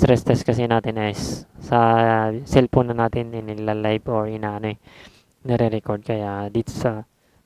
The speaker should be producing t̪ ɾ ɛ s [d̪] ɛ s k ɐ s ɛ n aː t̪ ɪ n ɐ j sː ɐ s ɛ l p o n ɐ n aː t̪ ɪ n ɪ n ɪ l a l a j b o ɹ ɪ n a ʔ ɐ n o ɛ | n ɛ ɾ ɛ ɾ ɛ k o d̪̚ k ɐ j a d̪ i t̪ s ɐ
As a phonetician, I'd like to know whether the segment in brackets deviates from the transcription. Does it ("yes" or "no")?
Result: yes